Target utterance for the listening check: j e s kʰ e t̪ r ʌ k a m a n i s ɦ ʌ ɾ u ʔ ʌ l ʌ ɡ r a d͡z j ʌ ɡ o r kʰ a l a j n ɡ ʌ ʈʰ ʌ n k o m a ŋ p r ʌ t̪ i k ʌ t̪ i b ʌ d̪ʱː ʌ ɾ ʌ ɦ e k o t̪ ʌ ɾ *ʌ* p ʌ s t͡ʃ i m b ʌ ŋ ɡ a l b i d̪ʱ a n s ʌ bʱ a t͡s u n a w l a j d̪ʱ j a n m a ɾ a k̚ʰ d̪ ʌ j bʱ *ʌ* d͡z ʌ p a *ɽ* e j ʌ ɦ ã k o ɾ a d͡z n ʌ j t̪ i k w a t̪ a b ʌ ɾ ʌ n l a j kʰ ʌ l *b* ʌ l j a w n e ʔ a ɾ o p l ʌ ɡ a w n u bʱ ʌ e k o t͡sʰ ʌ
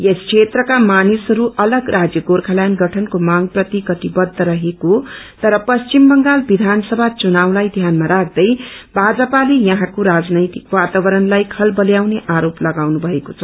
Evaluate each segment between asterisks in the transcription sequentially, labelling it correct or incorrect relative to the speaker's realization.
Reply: correct, incorrect: a, incorrect: l, correct

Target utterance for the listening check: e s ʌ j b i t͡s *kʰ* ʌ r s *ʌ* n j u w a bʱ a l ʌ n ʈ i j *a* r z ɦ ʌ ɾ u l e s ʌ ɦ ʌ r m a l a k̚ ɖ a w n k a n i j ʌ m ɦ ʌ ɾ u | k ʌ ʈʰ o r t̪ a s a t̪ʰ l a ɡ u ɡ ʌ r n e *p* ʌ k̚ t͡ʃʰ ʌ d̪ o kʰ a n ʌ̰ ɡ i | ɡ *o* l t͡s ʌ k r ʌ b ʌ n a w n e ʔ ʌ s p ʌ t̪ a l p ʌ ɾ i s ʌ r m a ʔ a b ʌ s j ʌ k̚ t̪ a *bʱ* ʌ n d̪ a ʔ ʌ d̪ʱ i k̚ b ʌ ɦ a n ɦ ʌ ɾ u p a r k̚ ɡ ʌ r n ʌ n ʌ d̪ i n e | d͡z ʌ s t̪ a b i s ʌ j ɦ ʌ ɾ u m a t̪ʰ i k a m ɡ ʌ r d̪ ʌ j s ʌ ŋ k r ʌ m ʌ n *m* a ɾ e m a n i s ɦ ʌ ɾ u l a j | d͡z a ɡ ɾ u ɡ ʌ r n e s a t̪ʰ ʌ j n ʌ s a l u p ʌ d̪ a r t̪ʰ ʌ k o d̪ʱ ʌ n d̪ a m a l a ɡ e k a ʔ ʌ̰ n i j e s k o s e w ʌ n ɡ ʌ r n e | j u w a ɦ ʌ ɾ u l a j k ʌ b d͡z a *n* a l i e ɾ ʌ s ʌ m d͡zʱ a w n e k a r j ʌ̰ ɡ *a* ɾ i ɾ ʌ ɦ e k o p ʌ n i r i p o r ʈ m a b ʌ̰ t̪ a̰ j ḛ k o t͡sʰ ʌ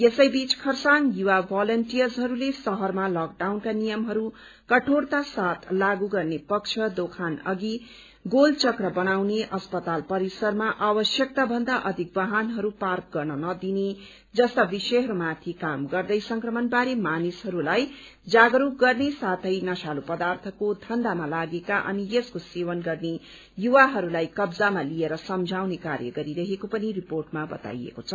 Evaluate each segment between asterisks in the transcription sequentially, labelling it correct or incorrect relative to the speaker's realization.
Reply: correct, incorrect: a, incorrect: ʌ, correct, correct, correct, incorrect: b, incorrect: m, incorrect: ʌ

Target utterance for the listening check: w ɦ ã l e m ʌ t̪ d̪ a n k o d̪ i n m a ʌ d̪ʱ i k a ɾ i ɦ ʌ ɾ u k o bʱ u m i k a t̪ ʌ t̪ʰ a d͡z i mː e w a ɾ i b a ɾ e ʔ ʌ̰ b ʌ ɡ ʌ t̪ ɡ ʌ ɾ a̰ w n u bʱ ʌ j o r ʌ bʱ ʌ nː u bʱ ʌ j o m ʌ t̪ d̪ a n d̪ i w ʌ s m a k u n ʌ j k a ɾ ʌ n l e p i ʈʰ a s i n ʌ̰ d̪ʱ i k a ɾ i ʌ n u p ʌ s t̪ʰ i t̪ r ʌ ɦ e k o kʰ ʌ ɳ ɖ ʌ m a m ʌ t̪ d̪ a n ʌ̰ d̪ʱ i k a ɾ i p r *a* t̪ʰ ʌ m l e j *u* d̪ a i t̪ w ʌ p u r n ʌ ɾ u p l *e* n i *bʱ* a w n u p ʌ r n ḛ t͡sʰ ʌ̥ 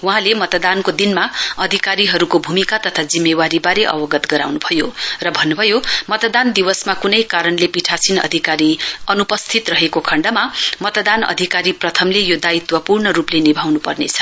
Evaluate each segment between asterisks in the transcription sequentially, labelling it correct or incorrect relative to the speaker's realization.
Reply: incorrect: ʌ, incorrect: o, correct, correct

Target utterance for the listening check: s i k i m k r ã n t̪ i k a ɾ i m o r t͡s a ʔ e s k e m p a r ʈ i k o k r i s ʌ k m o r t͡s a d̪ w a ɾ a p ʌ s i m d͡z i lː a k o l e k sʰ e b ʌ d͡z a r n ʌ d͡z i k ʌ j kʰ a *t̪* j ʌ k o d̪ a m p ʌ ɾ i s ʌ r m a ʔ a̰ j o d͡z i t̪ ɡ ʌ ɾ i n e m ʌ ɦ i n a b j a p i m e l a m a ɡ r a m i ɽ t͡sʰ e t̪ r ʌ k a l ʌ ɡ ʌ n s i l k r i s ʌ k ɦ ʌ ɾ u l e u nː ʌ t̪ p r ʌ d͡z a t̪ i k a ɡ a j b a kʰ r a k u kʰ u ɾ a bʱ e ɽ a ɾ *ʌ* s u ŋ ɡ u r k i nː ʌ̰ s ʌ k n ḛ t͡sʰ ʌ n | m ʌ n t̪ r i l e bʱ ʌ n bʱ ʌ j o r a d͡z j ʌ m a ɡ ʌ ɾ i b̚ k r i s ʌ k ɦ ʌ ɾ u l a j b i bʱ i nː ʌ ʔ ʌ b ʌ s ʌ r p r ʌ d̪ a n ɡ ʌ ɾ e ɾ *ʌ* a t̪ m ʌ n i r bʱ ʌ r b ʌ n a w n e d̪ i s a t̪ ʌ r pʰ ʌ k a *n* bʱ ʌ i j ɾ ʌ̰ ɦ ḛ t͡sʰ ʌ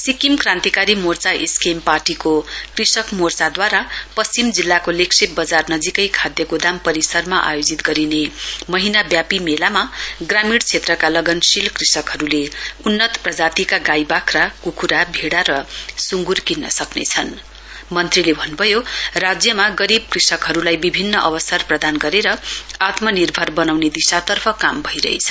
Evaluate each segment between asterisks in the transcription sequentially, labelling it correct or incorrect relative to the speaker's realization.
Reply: incorrect: d̪, correct, correct, incorrect: m

